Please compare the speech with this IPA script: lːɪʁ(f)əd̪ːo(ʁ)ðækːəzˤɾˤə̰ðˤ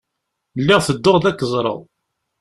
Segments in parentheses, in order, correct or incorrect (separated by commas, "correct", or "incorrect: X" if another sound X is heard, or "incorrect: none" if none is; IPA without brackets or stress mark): incorrect: θ, correct